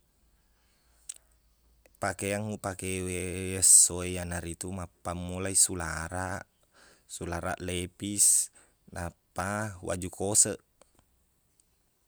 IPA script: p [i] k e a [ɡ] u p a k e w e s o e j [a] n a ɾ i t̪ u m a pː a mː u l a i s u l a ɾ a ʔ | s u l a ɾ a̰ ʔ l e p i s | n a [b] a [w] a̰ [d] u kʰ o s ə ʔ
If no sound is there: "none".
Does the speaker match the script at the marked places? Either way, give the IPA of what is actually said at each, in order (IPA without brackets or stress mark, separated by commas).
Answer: a, ŋ, a, p, w, d͡ʒ